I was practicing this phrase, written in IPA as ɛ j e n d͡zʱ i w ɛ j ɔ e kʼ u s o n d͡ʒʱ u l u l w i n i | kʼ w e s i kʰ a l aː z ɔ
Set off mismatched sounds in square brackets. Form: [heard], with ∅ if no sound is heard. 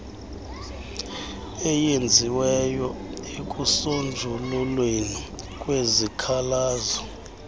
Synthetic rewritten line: ɛ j e n d͡zʱ i w ɛ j ɔ e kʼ u s o n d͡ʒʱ u l u l w [e] n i | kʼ w e [z] i kʰ a l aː z ɔ